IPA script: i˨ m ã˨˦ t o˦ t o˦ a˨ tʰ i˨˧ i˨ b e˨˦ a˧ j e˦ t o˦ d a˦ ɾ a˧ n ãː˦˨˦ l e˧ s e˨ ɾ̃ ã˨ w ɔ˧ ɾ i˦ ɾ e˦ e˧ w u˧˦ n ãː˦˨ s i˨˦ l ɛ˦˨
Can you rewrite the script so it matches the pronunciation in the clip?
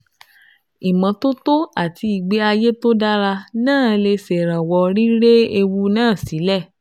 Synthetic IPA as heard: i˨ m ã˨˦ t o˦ t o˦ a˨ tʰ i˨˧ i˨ ɡ͡b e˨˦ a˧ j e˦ t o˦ d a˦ ɾ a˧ n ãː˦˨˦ l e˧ s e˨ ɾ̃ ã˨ w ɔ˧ ɾ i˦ ɾ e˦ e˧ w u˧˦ n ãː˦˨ s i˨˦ l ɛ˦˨